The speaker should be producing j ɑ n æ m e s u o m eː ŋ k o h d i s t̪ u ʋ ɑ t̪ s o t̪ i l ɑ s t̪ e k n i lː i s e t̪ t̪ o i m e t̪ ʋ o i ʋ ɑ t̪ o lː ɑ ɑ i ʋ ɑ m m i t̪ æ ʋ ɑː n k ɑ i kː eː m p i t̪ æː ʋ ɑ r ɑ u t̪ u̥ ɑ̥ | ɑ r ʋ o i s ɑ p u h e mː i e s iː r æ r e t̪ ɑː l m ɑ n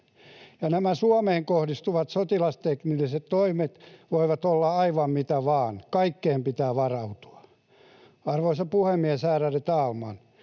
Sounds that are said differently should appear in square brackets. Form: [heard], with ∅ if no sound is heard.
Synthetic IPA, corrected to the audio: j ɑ n æ m [æ] s u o m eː ŋ k o h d i s t̪ u ʋ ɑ t̪ s o t̪ i l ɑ s t̪ e k n i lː i s e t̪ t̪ o i m e t̪ ʋ o i ʋ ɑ t̪ o lː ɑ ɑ i ʋ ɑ m m i t̪ æ ʋ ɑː n k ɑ i kː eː m p i t̪ æː ʋ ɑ r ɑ u t̪ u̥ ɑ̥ | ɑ r ʋ o i s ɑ p u h e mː i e s [æː] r æ r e t̪ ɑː l m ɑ n